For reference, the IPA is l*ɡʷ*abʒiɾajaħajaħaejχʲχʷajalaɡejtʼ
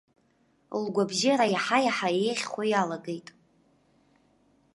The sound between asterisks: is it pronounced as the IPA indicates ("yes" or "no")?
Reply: yes